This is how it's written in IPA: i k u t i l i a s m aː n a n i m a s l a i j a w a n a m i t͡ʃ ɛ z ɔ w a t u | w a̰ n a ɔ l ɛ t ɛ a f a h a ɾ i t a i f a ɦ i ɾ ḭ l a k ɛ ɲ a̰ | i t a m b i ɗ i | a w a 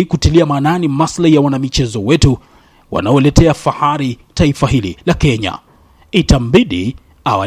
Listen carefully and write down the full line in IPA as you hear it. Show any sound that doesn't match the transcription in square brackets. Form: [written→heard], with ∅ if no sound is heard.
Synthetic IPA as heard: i k u t i l i a [s→∅] m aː n a n i m a s l a i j a w a n a m i t͡ʃ ɛ z ɔ w [a→ɛ] t u | w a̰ n a ɔ l ɛ t ɛ a f a h a ɾ i t a i f a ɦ i [ɾ→l] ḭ l a k ɛ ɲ a̰ | i t a m b i ɗ i | a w a